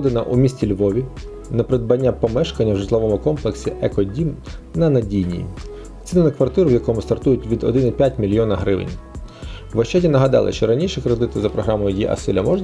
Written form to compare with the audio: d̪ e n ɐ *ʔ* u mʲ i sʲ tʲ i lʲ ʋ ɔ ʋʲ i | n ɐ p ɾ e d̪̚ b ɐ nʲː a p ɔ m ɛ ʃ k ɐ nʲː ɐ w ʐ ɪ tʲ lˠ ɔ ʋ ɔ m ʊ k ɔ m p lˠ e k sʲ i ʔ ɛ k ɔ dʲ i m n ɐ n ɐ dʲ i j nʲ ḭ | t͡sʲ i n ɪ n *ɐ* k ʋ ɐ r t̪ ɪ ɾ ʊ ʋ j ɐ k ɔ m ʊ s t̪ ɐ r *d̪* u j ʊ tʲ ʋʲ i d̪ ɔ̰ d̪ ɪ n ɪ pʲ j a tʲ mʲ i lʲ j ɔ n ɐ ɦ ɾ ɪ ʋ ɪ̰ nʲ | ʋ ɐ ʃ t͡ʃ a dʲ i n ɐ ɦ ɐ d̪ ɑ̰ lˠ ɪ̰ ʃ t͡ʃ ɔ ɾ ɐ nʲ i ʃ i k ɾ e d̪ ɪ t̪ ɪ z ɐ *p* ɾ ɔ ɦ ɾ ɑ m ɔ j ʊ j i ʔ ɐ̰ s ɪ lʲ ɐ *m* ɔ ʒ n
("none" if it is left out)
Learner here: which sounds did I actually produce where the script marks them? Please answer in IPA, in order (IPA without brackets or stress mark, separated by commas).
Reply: ʔ, ɐ, t̪, p, m